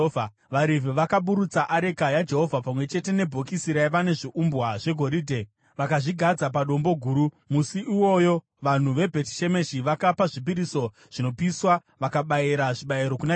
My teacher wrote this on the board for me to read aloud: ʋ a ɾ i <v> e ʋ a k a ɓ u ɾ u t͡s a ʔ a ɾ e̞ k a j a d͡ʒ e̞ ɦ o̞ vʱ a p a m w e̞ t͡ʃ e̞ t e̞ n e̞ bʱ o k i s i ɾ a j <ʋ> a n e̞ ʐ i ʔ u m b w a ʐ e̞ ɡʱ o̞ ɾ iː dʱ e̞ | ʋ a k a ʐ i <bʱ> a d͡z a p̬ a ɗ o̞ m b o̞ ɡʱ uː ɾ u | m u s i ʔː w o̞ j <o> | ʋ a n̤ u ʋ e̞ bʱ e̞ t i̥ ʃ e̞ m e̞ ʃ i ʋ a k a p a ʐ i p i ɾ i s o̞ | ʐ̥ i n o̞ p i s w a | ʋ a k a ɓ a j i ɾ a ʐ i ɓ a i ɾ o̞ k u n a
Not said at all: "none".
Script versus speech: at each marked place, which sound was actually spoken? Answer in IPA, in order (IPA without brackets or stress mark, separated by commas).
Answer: v, ʋ, ɡʱ, o